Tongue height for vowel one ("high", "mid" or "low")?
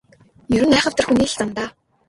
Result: mid